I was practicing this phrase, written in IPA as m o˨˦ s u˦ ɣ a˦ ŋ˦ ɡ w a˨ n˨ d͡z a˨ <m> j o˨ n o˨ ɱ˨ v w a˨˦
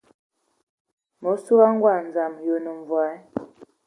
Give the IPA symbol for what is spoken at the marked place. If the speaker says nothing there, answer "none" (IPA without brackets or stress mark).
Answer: m